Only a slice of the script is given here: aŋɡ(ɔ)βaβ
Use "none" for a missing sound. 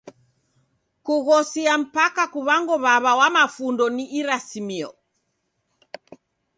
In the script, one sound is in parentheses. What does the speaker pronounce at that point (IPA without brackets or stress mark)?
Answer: ɔ